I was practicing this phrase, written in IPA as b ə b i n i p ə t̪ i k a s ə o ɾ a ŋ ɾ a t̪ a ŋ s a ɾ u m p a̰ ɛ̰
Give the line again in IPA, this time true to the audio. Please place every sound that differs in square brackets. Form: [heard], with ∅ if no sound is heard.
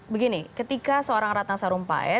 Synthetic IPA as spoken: b ə [ɡ] i n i [k] ə t̪ i k a s ə o ɾ a ŋ ɾ a t̪ a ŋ s a ɾ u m p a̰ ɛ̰